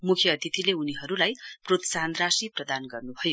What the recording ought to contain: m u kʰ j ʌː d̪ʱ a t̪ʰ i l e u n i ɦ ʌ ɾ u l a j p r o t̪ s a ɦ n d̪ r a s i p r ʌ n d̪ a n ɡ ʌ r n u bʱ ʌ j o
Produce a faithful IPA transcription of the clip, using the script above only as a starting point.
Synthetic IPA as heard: m u kʰ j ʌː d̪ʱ i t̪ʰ i l e u n i ɦ ʌ ɾ u l a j p r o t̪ s a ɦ n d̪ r a s i p r ʌ d̪ a n ɡ ʌ r n u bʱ ʌ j o